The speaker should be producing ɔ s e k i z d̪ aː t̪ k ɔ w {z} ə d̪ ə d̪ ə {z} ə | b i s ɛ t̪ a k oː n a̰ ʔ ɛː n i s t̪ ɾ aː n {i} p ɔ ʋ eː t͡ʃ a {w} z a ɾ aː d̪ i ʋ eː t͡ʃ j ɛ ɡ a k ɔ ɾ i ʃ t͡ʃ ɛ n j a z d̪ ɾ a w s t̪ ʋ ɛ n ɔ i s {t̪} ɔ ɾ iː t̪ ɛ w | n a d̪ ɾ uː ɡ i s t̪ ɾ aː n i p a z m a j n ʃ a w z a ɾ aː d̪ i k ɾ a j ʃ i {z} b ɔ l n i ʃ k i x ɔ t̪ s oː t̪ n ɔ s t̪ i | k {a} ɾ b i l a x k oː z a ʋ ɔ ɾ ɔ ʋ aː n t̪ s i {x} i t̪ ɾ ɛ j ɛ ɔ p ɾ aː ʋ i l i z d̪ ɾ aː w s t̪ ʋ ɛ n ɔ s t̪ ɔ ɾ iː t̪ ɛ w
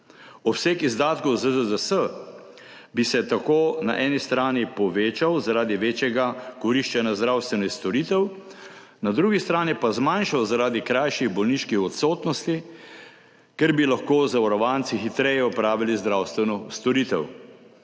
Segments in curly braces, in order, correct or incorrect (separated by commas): correct, incorrect, correct, correct, correct, incorrect, incorrect, correct